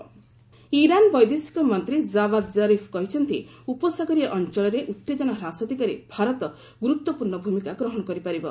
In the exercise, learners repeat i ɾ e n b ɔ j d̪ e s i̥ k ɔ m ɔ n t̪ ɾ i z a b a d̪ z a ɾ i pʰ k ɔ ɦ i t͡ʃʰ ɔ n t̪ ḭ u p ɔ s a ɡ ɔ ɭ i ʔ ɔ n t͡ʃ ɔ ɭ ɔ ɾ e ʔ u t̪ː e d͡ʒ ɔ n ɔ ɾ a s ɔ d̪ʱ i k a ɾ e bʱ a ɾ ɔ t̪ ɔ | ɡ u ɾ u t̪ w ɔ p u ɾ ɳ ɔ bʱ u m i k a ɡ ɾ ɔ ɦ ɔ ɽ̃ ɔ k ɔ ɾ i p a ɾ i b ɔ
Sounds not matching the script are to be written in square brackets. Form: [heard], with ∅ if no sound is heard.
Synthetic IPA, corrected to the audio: i ɾ [a] n b ɔ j d̪ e s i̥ k ɔ m ɔ n t̪ ɾ i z a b a d̪ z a ɾ i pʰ k ɔ ɦ i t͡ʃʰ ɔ n t̪ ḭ u p ɔ s a ɡ ɔ [ɾ] i ʔ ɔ n t͡ʃ ɔ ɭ ɔ ɾ e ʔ u t̪ː e d͡ʒ ɔ n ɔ ɾ a s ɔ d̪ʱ i k a ɾ e bʱ a ɾ ɔ t̪ ɔ | ɡ u ɾ u t̪ w ɔ p u ɾ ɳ ɔ bʱ u m i k a ɡ ɾ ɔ ɦ ɔ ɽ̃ ɔ k ɔ ɾ i p a ɾ i b ɔ

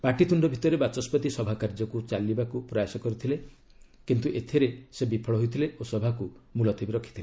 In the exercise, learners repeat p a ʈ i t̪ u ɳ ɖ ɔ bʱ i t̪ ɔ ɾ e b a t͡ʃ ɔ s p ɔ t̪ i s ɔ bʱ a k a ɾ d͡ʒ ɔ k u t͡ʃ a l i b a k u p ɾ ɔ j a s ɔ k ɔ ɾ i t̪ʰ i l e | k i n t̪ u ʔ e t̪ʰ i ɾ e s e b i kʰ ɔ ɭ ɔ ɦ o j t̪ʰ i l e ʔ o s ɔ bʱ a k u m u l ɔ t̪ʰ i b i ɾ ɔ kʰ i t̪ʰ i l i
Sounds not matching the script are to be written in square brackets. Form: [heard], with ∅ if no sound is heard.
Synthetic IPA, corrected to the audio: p a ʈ i t̪ u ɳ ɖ ɔ bʱ i t̪ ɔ ɾ e b a t͡ʃ ɔ s p ɔ t̪ i s ɔ bʱ a k a ɾ d͡ʒ ɔ k u t͡ʃ a l i b a k u p ɾ ɔ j a s ɔ k ɔ ɾ i t̪ʰ i l e | k i n t̪ u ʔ e t̪ʰ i ɾ e s e b i [pʰ] ɔ ɭ ɔ ɦ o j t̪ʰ i l e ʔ o s ɔ bʱ a k u m u l ɔ t̪ʰ i b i ɾ ɔ kʰ i t̪ʰ i l [e]

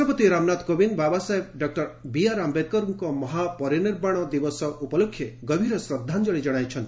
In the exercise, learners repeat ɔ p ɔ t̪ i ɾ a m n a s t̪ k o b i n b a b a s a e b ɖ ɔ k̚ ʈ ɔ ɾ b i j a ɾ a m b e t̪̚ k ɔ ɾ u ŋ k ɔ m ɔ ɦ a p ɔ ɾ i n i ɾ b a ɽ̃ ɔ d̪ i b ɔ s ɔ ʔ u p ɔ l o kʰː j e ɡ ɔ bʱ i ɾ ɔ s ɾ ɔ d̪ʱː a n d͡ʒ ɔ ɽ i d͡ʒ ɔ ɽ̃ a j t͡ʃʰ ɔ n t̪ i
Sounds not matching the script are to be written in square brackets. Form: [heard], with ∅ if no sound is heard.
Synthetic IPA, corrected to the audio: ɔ p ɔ t̪ i ɾ a m n a [∅] t̪ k o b i n b a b a s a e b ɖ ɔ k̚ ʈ ɔ ɾ b i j a ɾ a m b e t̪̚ k ɔ ɾ u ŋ k ɔ m ɔ ɦ a p ɔ ɾ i n i ɾ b a ɽ̃ ɔ d̪ i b ɔ s ɔ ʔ u p ɔ l o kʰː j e ɡ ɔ bʱ i ɾ ɔ s ɾ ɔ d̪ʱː a n d͡ʒ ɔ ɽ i d͡ʒ ɔ ɽ̃ a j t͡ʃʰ ɔ n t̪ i

